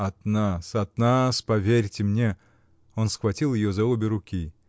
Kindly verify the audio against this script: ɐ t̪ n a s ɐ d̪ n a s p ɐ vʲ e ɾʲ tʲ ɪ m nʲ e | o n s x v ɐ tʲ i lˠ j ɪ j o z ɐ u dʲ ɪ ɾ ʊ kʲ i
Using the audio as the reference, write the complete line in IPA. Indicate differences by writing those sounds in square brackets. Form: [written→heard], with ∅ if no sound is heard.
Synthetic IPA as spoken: ɐ t̪ n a s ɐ [d̪→t̪] n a s p ɐ vʲ e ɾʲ tʲ ɪ m nʲ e | o n s x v ɐ tʲ i lˠ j ɪ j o z ɐ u [dʲ→bʲ] ɪ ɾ ʊ kʲ i